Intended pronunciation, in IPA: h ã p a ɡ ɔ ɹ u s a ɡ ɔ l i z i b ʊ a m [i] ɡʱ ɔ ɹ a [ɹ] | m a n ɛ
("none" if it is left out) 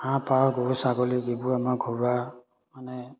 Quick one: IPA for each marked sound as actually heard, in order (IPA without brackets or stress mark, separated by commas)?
a, none